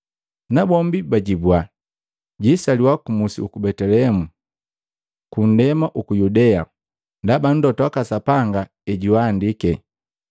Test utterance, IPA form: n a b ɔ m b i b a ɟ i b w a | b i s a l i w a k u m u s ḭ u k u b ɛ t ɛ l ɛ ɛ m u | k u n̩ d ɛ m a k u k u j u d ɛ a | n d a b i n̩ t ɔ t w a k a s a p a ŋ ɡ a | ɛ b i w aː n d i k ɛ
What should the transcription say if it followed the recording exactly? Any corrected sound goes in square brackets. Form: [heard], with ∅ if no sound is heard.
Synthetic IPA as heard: n a b ɔ m b i b a ɟ i b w a | [ɟ] i s a l i w a k u m u s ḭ u k u b ɛ t ɛ l ɛ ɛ m u | k u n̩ d ɛ m a [ʔ] u k u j u d ɛ a | n d a b [a] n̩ [d] ɔ t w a k a s a p a ŋ ɡ a | ɛ [ɟ] i w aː n d i k ɛ